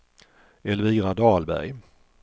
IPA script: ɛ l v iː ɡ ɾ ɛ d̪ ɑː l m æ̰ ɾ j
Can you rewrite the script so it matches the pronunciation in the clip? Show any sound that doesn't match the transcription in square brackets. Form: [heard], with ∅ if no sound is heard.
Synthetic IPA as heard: ɛ l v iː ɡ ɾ [a] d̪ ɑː l [b] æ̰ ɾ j